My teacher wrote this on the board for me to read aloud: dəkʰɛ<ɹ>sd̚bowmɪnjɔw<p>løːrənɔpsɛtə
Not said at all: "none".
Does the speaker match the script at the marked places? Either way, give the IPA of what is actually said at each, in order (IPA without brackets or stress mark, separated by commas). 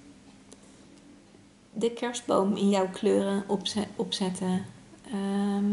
ɹ, k